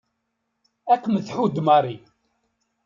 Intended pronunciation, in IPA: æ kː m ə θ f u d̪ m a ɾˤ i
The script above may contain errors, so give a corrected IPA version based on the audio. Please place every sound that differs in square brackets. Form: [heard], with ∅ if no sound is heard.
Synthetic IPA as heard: æ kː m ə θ [ħ] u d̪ m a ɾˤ i